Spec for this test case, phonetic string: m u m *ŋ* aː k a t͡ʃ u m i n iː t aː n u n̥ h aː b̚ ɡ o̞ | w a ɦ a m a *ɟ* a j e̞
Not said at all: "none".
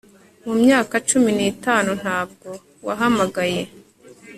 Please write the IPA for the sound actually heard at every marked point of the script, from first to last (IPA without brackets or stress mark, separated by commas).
ɲ, ɡ